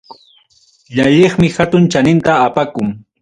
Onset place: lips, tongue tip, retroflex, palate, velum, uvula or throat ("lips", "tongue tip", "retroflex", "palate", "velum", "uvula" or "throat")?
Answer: palate